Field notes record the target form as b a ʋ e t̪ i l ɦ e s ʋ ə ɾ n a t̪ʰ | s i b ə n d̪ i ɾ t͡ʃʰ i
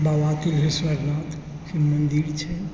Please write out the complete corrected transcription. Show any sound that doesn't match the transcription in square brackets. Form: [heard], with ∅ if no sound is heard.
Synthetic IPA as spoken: b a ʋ [a] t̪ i l ɦ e s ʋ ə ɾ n a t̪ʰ | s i [m] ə n d̪ i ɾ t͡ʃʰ [ɛ]